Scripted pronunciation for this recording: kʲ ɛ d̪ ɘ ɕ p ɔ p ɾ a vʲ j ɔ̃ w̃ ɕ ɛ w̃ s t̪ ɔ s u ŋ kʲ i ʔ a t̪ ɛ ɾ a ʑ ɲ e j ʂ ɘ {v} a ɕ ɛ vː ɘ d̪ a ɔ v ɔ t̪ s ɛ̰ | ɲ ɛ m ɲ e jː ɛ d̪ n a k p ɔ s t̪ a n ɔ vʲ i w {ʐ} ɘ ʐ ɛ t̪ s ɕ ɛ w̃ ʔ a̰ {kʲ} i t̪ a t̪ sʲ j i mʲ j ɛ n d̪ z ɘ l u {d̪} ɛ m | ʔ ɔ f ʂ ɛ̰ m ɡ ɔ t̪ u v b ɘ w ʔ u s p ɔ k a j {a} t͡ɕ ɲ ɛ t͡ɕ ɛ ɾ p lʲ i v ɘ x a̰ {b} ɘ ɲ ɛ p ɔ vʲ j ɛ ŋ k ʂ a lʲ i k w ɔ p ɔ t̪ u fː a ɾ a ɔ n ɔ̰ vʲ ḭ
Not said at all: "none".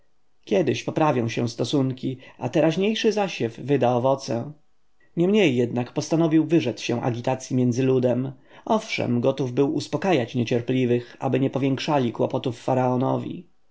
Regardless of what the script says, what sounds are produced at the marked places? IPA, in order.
z, v, ɡʲ, d̪, a, b

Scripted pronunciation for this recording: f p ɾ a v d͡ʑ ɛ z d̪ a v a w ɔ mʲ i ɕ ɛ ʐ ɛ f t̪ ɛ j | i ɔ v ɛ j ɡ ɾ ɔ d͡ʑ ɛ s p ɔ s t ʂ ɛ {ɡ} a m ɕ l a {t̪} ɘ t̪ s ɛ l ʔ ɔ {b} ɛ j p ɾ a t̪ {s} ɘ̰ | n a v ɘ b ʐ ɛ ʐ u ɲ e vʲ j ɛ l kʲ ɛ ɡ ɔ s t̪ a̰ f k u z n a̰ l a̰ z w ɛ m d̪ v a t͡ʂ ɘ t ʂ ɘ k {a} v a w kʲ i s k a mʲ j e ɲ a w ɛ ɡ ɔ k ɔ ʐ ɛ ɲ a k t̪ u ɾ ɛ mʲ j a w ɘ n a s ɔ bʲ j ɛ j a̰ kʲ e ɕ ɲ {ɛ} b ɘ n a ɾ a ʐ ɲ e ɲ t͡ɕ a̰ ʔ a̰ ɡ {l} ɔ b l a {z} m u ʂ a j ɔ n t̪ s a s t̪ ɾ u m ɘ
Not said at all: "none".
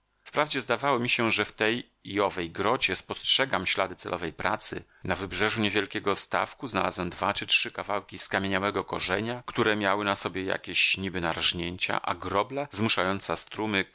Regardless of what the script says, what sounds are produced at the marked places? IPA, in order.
ɡ, d̪, v, s, a, i, ɾ, z

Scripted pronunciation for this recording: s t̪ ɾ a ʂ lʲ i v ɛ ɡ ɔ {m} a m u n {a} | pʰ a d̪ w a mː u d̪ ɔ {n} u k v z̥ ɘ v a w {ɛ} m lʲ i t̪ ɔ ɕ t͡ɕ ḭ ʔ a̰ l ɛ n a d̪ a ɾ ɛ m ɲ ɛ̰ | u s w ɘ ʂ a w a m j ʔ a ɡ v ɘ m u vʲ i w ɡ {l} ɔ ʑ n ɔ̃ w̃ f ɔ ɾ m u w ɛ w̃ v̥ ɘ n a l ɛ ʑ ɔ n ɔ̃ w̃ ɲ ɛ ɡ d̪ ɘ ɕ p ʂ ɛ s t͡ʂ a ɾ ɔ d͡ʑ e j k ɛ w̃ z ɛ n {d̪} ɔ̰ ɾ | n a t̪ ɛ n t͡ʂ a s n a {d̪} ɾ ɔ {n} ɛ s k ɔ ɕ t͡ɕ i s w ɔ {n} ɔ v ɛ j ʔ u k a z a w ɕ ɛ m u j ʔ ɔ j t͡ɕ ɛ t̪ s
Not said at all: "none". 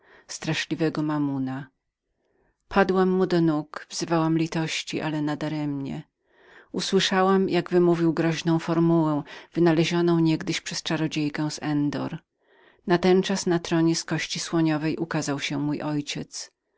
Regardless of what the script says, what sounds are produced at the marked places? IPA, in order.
m, a, n, a, ɾ, d̪, t̪, ɲ, ɲ

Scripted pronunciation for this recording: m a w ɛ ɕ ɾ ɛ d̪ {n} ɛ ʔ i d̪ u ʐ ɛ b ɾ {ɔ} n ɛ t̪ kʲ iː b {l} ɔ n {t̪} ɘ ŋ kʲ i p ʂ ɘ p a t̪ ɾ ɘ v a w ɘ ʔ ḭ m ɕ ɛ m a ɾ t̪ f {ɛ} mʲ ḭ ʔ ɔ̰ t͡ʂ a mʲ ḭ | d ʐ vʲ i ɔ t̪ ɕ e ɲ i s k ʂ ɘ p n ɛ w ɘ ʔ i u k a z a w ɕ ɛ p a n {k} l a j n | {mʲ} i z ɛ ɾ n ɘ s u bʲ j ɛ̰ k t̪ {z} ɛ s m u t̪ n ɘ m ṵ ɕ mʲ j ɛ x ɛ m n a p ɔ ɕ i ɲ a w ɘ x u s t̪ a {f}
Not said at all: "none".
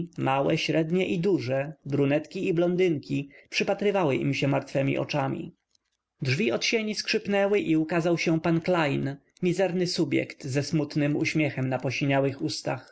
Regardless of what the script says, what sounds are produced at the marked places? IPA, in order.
ɲ, u, l, d̪, ɛ, k, mʲ, z, x

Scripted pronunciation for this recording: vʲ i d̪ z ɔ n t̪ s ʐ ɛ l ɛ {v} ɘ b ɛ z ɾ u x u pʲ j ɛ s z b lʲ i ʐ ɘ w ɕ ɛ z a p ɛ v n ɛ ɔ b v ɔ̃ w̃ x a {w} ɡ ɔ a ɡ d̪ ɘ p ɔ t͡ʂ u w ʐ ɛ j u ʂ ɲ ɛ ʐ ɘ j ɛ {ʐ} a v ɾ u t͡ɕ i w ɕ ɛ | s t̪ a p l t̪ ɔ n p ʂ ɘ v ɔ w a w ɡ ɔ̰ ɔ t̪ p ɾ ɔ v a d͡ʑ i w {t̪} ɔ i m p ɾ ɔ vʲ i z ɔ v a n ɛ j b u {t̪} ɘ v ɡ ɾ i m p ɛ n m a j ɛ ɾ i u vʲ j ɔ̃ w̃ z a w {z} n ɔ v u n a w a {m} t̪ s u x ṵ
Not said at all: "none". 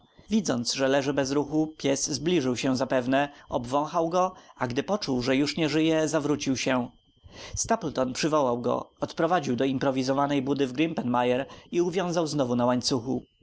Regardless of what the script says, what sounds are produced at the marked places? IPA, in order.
ʐ, w, z, d̪, d̪, z, ɲ

